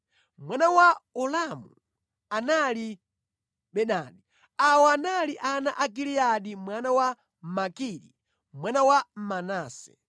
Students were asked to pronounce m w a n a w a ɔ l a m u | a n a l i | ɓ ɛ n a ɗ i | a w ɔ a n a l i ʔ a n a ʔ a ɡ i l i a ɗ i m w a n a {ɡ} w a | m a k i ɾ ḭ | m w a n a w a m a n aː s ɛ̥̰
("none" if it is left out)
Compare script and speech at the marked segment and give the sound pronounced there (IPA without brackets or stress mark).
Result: none